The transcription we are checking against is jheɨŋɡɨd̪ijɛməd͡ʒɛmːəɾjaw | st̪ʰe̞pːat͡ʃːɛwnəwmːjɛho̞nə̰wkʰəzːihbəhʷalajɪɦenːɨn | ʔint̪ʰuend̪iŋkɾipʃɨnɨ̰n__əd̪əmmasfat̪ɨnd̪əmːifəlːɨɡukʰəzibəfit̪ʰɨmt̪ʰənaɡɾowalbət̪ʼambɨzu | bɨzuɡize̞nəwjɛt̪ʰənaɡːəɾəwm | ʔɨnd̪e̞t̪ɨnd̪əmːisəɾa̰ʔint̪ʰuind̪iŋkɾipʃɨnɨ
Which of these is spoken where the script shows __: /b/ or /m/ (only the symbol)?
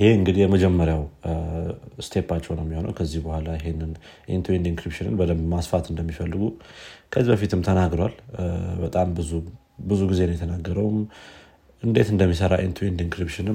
b